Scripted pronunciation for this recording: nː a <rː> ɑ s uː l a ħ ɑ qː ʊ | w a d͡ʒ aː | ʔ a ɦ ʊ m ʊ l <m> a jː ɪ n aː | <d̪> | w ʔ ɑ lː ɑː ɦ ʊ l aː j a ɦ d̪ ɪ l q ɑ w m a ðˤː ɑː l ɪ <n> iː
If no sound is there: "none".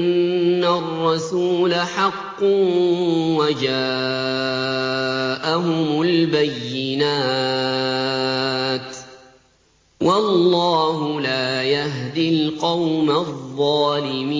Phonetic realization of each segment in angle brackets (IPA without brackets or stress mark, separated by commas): rː, b, t̪, m